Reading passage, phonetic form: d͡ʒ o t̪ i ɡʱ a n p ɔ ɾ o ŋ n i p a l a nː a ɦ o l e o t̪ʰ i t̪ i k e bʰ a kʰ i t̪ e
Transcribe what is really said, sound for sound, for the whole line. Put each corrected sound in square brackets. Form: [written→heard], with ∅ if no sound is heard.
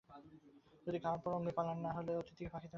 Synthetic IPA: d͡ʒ o [t̪→d̪] i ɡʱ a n p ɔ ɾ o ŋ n i p a l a nː a ɦ o l e o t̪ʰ i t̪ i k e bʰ a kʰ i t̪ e